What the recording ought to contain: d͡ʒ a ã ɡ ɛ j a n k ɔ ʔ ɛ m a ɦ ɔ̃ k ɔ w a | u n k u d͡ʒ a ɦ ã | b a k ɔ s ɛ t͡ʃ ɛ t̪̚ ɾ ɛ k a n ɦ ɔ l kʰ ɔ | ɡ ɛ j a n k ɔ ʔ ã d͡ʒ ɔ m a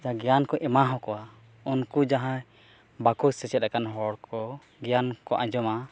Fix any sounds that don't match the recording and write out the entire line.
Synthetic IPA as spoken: d͡ʒ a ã ɡ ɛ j a n k ɔ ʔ ɛ m a ɦ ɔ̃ k ɔ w a | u n k u d͡ʒ a ɦ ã | b a k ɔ s ɛ t͡ʃ ɛ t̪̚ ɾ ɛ k a n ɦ ɔ ɽ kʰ ɔ | ɡ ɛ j a n k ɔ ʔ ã d͡ʒ ɔ m a